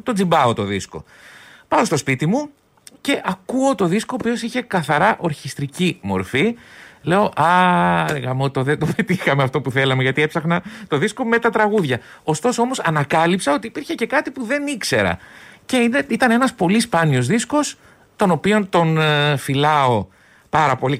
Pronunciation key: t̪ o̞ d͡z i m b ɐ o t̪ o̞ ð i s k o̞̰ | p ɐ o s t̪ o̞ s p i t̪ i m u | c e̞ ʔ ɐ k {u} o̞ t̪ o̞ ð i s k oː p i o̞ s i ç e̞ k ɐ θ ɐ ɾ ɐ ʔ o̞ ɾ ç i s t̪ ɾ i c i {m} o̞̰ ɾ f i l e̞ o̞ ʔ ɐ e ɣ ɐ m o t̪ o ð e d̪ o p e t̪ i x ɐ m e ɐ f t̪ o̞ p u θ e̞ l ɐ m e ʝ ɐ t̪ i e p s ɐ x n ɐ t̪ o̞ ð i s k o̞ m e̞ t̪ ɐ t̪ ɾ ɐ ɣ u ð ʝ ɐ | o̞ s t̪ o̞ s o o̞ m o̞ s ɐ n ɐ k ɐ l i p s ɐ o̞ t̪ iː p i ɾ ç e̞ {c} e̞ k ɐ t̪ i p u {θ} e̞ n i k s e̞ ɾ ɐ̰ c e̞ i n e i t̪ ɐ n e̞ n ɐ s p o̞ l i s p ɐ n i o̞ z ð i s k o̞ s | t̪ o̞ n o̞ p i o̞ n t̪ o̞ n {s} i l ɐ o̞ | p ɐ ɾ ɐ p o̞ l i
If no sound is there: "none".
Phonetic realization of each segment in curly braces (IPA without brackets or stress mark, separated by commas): u, m, c, ð, f